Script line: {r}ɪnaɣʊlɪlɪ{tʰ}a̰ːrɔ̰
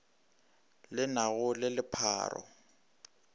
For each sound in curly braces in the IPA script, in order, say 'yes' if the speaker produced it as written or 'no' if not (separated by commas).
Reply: no, no